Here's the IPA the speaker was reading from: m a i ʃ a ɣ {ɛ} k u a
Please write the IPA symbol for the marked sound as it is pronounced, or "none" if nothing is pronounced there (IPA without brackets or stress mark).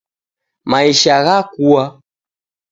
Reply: a